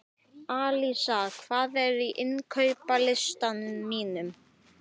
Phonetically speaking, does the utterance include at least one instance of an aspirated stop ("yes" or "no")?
yes